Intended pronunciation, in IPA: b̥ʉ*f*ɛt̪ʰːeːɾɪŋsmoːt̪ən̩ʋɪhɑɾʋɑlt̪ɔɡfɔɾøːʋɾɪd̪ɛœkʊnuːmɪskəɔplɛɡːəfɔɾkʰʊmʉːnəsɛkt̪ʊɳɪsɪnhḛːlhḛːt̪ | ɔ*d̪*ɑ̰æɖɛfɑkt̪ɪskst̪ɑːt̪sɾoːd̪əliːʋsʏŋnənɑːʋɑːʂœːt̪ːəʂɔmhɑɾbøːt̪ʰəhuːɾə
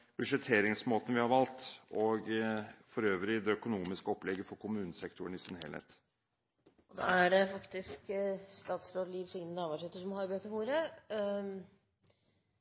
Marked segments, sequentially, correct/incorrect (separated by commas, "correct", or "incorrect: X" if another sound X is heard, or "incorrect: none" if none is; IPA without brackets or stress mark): incorrect: ʂ, correct